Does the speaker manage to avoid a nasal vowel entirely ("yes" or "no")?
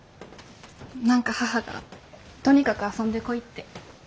no